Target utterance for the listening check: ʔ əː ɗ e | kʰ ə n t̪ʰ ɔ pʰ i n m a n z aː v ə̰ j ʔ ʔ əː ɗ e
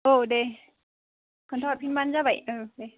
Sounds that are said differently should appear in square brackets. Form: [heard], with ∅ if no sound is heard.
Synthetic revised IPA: ʔ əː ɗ e | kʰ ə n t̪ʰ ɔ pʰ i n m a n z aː v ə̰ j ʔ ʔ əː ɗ e